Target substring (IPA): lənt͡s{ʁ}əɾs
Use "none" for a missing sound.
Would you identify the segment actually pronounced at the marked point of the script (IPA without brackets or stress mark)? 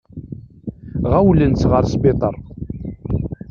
ʁ